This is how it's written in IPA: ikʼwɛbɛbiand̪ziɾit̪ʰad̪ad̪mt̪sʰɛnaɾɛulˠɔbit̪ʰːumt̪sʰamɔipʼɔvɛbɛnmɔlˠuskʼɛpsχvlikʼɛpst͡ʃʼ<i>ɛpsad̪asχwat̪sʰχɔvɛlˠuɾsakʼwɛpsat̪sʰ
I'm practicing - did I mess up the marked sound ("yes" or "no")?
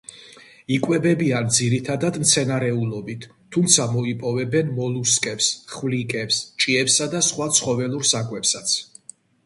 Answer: no